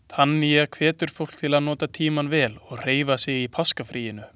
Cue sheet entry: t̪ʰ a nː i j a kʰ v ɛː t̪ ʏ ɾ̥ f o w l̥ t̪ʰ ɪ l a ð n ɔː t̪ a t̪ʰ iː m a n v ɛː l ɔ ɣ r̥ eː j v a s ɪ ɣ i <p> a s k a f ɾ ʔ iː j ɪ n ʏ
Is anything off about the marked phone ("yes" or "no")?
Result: yes